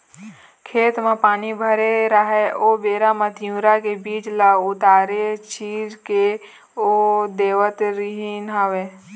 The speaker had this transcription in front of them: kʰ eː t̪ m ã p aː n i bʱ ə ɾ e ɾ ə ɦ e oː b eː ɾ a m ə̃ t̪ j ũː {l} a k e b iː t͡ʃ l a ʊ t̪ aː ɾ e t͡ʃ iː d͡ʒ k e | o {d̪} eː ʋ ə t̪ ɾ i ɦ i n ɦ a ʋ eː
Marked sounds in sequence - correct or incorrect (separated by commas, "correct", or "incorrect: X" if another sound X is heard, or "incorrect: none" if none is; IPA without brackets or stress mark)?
incorrect: ɾ, correct